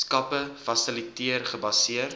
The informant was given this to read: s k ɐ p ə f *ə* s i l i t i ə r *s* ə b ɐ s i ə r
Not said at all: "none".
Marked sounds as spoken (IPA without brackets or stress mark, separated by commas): ɐ, χ